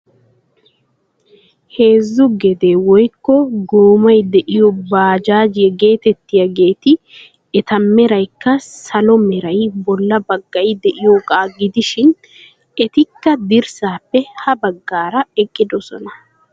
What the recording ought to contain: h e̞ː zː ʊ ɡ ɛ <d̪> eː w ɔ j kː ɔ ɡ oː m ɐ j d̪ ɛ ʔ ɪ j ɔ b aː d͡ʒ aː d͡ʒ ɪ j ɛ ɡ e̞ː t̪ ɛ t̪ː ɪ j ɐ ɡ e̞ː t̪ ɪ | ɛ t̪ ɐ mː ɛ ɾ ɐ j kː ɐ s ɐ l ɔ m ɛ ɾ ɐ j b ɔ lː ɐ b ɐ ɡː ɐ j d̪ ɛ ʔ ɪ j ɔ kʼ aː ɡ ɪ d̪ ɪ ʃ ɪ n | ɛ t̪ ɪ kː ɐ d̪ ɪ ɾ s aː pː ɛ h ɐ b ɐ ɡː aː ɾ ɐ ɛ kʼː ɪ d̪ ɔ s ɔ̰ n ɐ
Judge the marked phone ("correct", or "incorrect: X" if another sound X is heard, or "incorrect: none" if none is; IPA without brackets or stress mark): correct